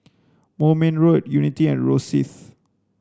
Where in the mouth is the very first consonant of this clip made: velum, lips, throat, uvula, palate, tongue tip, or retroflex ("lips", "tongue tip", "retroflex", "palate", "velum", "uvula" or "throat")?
lips